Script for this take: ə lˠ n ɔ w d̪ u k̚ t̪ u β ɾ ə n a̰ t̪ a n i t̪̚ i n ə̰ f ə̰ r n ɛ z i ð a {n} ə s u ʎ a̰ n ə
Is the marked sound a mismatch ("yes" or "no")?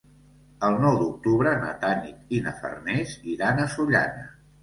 no